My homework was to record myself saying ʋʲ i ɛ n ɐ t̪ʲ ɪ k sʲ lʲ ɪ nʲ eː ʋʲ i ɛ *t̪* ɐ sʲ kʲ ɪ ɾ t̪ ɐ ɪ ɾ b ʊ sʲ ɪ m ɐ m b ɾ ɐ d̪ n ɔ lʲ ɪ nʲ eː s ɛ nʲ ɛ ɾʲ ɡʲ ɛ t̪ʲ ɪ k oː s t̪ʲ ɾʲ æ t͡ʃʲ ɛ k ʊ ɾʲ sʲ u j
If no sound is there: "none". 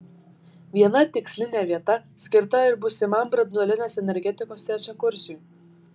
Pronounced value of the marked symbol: t̪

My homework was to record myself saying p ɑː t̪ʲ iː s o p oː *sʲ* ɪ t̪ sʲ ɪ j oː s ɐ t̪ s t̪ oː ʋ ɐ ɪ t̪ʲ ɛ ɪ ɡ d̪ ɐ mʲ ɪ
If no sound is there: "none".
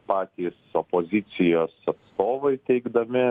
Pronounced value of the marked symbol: zʲ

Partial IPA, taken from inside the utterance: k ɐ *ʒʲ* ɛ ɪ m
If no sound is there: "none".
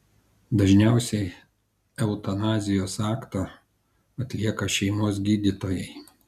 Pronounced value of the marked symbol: ʃʲ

